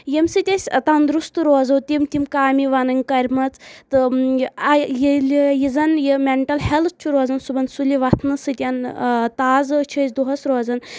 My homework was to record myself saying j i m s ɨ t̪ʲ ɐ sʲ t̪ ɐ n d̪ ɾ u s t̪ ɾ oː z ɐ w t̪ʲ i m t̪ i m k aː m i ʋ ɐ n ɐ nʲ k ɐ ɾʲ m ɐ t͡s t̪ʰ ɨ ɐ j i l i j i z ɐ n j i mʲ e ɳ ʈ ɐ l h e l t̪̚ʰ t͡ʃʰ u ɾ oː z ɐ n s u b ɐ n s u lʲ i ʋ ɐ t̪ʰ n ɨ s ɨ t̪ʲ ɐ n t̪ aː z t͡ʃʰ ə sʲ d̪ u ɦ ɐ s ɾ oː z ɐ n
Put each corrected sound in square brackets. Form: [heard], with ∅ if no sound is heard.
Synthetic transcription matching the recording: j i m s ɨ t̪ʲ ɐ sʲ t̪ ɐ n d̪ ɾ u s t̪ ɾ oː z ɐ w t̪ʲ i m t̪ i m k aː m i ʋ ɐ n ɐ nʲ k ɐ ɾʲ m ɐ t͡s [t̪] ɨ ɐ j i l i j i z ɐ n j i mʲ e ɳ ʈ ɐ l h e l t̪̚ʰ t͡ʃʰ u ɾ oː z ɐ n s u b ɐ n s u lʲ i ʋ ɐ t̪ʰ n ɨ s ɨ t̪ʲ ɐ n t̪ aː z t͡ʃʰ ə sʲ d̪ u ɦ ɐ s ɾ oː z ɐ n

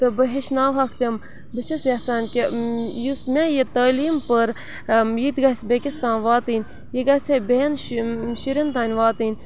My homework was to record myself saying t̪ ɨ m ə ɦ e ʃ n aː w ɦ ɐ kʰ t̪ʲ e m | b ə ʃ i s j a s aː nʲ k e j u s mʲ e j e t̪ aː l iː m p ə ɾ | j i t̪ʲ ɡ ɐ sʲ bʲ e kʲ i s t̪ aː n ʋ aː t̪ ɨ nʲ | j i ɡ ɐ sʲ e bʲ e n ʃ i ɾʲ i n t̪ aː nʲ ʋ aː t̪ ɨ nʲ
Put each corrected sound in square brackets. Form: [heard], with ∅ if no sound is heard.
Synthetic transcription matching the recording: t̪ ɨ [b] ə ɦ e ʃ n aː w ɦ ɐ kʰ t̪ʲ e m | b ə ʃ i s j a s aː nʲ k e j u s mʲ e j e t̪ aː l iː m p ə ɾ | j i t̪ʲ ɡ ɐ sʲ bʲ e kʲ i s t̪ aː n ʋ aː t̪ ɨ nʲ | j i ɡ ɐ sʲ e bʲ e n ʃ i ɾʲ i n t̪ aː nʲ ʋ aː t̪ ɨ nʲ

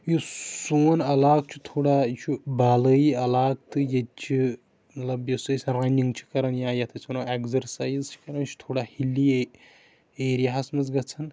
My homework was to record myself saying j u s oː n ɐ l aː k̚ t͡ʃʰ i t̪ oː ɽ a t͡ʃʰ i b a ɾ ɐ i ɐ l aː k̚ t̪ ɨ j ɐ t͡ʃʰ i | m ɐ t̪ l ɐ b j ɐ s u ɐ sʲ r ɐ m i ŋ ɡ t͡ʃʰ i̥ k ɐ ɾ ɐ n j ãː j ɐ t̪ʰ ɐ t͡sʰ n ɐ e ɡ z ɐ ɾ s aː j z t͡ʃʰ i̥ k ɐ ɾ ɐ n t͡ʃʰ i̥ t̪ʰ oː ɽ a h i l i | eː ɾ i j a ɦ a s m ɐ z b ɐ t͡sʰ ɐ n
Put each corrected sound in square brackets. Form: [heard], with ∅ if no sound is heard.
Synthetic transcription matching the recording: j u s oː n ɐ l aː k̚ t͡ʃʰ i [t̪ʰ] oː ɽ a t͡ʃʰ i b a [l] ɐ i ɐ l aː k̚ t̪ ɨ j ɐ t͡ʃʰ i | m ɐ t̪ l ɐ b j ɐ s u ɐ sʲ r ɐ [n] i ŋ ɡ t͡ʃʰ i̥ k ɐ ɾ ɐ n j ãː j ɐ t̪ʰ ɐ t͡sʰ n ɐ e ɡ z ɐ ɾ s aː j z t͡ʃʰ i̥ k ɐ ɾ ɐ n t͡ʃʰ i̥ t̪ʰ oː ɽ a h i l i | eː ɾ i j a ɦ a s m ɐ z [ɡ] ɐ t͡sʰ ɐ n

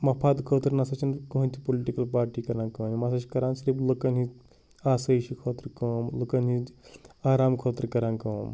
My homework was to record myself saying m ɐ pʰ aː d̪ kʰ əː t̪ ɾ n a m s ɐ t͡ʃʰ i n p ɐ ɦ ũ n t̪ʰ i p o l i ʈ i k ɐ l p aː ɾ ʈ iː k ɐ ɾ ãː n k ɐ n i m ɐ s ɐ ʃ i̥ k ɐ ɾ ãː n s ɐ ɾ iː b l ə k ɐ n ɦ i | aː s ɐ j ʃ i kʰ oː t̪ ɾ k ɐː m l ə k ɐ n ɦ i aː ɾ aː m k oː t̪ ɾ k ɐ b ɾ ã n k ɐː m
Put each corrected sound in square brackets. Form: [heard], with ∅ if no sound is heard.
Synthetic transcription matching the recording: m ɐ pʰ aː d̪ kʰ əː t̪ ɾ n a [∅] s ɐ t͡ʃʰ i n [k] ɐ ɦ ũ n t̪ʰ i p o l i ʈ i k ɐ l p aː ɾ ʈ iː k ɐ ɾ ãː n k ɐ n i m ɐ s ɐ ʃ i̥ k ɐ ɾ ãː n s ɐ ɾ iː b l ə k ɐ n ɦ i | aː s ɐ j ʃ i kʰ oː t̪ ɾ k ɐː m l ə k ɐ n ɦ i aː ɾ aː m [kʰ] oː t̪ ɾ k ɐ [∅] ɾ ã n k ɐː m

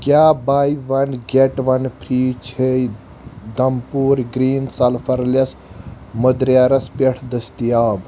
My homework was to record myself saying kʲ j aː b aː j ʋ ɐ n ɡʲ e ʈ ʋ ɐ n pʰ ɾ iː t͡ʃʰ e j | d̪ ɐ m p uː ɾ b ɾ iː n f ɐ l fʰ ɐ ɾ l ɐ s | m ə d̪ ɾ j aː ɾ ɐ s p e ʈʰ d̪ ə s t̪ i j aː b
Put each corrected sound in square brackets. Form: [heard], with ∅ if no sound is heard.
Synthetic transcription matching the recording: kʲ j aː b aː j ʋ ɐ n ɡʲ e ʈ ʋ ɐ n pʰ ɾ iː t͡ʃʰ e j | d̪ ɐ m p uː ɾ [ɡ] ɾ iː n [s] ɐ l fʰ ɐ ɾ l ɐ s | m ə d̪ ɾ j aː ɾ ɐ s p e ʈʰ d̪ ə s t̪ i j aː b

